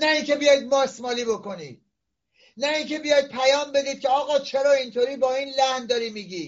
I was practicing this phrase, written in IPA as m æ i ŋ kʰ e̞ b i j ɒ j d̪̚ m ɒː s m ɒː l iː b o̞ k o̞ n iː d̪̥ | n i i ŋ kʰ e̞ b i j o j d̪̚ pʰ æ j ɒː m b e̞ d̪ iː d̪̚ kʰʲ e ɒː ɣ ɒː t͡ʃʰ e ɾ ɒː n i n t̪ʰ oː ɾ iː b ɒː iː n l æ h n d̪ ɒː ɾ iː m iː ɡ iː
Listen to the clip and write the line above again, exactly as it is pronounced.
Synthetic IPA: n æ i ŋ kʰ e̞ b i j ɒ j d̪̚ m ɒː s m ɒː l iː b o̞ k o̞ n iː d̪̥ | n æ i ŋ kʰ e̞ b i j ɒ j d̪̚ pʰ æ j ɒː m b e̞ d̪ iː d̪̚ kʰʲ e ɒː ɣ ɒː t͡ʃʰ e ɾ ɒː i n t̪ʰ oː ɾ iː b ɒː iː n l æ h n d̪ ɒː ɾ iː m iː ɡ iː